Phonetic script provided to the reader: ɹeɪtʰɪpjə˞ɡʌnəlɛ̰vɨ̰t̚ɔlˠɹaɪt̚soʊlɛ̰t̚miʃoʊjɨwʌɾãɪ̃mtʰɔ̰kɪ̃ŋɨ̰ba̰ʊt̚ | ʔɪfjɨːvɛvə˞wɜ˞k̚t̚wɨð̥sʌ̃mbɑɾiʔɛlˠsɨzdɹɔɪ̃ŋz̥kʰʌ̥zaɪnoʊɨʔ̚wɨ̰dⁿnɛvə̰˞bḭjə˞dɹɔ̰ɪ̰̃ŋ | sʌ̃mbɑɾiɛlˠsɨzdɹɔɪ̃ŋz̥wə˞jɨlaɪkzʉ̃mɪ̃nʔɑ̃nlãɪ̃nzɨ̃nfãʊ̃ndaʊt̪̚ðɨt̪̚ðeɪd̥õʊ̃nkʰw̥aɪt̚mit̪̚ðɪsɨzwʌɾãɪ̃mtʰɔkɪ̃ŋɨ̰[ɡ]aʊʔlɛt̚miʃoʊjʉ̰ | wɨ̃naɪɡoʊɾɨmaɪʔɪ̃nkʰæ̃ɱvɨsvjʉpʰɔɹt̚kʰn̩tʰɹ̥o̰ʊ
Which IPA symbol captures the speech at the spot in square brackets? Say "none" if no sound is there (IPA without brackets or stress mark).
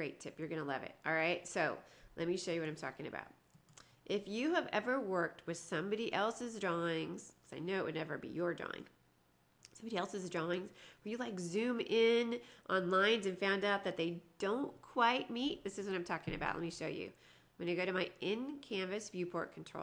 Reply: b